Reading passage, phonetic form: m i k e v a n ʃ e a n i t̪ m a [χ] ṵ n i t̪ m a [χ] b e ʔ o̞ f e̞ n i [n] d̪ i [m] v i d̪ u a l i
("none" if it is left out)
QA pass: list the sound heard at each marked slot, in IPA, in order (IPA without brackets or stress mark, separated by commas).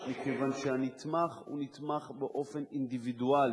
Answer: χ, χ, n, none